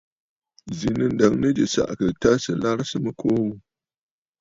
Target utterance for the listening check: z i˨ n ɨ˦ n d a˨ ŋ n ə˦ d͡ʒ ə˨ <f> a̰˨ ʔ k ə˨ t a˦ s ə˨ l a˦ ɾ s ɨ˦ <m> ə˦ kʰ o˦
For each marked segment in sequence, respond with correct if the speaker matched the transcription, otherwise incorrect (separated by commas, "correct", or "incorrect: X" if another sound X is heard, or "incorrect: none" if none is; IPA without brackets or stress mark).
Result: incorrect: s, correct